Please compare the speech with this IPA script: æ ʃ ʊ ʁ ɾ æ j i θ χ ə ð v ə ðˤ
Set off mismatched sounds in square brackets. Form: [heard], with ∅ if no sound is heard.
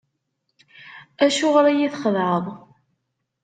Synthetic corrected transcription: æ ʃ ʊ ʁ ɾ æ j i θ χ ə ð [ʕ] ə ðˤ

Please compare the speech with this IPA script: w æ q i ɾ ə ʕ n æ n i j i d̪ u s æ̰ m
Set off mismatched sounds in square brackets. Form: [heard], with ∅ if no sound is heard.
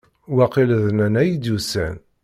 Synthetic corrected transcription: w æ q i [l] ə [ð] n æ n [æ] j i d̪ u s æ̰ [n]

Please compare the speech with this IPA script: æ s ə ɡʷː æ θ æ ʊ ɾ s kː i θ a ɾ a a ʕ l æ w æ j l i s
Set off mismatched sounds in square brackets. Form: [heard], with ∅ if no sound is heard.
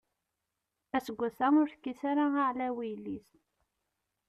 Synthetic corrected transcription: æ s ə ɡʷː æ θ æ ʊ ɾ [θ] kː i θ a ɾ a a ʕ l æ w [i] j l i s

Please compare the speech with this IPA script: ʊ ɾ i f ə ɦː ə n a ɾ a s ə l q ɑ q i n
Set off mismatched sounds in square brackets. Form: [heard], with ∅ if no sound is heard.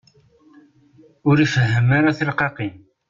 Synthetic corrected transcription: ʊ ɾ i f ə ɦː ə [m] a ɾ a [θ] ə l q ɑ q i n

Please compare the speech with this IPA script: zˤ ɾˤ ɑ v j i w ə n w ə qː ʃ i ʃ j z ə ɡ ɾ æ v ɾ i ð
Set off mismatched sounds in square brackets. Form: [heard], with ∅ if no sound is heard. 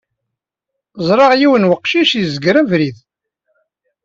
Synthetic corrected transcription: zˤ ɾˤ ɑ [ʁ] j i w ə n w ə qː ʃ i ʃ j z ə ɡ ɾ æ v ɾ i ð

